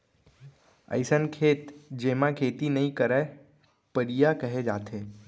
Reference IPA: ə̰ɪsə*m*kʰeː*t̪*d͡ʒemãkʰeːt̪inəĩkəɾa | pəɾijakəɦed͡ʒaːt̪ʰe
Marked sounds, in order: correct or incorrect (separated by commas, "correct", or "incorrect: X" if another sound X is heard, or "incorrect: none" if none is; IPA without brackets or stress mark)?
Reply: incorrect: n, correct